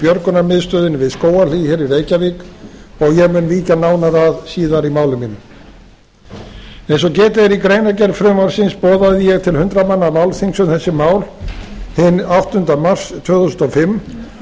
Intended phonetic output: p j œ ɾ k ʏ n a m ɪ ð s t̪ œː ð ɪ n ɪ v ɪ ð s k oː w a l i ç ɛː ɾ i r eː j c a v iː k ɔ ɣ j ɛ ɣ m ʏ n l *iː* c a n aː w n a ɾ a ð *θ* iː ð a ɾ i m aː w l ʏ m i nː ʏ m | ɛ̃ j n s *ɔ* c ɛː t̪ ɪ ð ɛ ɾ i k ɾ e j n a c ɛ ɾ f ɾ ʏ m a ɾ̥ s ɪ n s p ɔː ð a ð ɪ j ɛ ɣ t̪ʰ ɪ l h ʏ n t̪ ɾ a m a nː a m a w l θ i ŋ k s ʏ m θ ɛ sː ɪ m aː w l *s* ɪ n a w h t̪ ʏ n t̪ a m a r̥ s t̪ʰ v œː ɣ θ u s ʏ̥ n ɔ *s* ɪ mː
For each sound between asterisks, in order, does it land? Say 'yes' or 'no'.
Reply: yes, no, yes, no, no

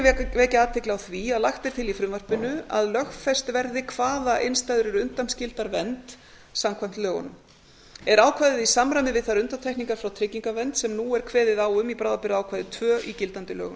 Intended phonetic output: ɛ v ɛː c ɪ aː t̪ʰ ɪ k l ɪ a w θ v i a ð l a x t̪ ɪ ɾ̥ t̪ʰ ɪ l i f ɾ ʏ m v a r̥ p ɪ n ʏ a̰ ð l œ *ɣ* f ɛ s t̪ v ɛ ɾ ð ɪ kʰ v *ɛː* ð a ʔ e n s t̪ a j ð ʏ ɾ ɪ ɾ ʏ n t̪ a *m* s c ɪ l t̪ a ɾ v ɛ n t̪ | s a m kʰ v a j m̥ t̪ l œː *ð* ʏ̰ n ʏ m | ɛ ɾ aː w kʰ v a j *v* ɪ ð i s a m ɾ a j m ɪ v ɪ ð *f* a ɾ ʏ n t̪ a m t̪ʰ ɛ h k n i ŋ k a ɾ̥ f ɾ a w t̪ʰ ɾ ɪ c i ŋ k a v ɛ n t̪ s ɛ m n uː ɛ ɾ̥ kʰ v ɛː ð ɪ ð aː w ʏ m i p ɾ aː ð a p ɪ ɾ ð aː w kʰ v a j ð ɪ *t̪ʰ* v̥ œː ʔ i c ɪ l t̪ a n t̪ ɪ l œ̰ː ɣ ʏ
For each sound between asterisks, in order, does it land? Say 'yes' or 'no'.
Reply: no, no, yes, no, no, no, yes

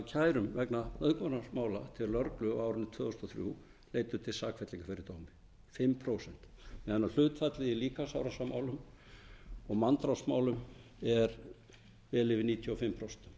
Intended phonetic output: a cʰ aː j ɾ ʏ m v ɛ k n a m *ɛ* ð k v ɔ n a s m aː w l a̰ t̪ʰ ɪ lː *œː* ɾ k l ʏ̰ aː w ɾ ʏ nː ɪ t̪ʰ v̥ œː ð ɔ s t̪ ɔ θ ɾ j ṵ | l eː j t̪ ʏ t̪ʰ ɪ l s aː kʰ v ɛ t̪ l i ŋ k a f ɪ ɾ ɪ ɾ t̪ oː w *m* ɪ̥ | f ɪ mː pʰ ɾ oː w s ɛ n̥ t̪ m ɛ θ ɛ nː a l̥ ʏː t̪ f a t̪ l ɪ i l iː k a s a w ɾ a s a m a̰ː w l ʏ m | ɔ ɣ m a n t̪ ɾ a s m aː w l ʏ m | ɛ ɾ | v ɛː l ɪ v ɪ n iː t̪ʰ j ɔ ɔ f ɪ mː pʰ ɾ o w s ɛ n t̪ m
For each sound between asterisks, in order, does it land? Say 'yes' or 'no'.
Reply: no, no, yes

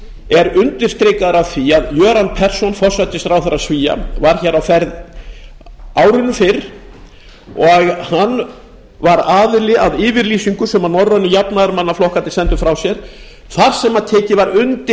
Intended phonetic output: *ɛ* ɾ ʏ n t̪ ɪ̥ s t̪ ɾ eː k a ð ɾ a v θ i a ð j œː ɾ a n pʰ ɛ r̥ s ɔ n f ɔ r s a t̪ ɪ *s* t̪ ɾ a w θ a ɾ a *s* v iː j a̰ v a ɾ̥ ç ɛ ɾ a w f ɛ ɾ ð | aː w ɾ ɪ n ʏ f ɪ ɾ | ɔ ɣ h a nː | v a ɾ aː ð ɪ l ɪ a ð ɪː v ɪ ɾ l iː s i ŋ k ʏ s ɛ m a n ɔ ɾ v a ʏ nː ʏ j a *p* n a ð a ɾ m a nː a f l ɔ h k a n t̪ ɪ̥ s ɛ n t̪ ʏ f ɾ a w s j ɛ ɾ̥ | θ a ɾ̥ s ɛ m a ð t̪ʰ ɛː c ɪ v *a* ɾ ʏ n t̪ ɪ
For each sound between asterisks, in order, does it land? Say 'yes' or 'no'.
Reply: yes, yes, yes, yes, yes

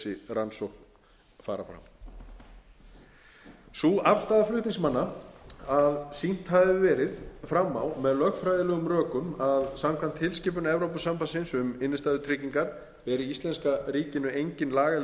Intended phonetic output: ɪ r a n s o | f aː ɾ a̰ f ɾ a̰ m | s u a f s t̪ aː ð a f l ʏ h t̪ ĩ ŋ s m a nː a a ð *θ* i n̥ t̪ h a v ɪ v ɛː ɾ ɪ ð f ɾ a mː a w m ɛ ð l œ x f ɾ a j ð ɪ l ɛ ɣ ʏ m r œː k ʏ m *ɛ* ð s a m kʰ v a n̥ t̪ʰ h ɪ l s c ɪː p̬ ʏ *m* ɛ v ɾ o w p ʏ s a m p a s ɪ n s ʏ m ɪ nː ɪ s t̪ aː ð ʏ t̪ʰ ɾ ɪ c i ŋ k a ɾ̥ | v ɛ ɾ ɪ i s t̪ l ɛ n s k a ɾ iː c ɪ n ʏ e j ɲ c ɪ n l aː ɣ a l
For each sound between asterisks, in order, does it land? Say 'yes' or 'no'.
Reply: no, no, no

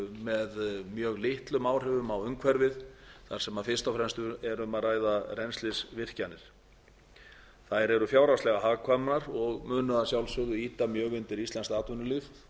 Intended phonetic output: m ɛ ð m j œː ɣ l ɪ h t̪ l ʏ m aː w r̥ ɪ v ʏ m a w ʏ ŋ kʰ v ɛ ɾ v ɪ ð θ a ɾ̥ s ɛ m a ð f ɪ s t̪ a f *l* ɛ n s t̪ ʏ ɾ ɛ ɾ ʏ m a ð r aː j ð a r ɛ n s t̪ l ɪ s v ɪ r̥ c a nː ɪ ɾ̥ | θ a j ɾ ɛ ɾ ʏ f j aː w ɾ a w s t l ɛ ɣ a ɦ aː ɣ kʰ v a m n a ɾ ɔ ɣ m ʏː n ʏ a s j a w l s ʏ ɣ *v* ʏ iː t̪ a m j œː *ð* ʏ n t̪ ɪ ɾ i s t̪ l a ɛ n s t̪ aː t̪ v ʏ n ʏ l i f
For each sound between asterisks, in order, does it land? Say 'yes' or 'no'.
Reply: no, no, no

